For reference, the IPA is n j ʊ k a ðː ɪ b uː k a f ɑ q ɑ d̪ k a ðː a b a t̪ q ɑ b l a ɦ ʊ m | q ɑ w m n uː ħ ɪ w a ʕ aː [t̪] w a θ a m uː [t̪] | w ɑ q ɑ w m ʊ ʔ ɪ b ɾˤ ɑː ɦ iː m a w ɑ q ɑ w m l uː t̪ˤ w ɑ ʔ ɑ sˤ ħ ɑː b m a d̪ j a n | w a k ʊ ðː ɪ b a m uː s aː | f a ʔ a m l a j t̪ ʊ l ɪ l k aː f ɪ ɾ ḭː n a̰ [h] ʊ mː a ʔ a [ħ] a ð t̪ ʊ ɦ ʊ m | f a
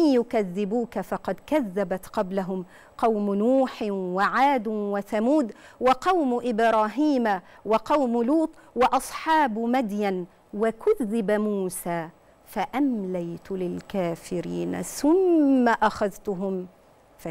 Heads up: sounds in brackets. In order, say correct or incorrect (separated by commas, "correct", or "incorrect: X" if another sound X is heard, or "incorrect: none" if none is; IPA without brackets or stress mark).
incorrect: d̪, incorrect: d̪, incorrect: θ, incorrect: x